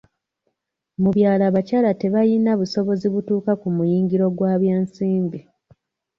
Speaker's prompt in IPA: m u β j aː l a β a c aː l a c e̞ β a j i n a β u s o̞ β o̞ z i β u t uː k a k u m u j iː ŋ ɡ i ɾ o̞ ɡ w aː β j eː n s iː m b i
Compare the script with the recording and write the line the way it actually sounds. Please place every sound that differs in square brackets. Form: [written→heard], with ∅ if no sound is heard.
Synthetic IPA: m u β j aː l a β a c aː l a [c→t] e̞ β a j i n a β u s o̞ β o̞ z i β u t uː k a k u m u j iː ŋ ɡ i ɾ o̞ ɡ w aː β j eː n s iː m b i